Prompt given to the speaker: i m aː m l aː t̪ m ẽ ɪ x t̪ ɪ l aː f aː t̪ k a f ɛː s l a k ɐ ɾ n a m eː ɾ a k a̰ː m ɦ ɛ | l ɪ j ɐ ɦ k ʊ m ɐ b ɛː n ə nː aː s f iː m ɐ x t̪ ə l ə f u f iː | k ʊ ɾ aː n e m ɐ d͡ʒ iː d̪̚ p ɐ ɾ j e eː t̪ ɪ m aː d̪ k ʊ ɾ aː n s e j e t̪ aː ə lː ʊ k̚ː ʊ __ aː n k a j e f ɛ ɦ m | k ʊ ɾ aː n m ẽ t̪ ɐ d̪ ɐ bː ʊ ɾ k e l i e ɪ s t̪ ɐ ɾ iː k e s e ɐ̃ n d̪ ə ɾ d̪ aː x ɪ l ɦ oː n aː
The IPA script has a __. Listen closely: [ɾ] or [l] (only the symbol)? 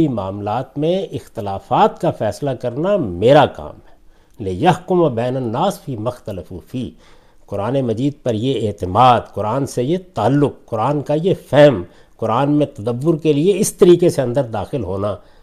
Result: ɾ